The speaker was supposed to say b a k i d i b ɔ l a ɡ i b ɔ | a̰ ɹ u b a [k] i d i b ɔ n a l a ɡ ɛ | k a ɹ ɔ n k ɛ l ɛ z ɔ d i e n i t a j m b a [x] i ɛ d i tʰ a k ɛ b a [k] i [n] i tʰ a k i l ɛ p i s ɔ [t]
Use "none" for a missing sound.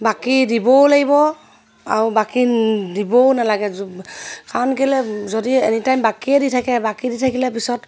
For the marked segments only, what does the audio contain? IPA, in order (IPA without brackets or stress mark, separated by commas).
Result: k, k, k, d, t